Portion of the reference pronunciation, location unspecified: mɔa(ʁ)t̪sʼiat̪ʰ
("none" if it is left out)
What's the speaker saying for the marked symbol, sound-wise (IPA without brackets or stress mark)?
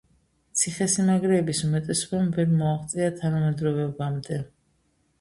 χ